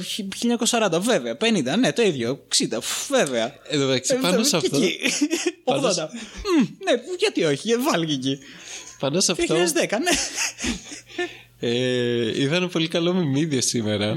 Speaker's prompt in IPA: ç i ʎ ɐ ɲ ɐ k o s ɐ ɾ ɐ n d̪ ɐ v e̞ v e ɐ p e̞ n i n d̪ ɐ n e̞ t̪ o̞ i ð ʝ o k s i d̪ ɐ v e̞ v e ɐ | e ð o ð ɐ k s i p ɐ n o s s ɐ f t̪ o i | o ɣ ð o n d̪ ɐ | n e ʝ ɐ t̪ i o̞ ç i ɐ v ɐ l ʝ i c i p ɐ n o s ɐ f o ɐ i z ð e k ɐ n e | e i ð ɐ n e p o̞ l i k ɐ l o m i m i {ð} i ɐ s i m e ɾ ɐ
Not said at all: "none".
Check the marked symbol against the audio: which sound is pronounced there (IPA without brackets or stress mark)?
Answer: ð